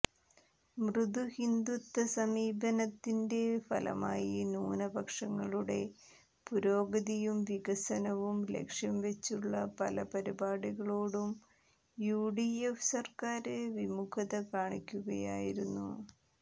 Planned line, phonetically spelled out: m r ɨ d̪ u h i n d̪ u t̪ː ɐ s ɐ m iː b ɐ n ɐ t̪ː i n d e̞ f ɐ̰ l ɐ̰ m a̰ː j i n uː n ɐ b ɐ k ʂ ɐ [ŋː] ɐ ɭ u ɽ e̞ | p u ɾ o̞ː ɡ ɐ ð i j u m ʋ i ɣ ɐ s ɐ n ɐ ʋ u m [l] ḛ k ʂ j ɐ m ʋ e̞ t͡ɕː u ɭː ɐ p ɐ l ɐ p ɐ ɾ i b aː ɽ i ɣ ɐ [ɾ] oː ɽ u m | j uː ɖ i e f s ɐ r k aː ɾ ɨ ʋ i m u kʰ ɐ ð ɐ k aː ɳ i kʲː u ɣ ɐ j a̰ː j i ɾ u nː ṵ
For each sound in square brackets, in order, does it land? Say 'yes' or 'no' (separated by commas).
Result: yes, yes, no